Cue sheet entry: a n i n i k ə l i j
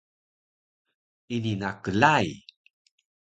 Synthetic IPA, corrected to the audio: i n i n a k ə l a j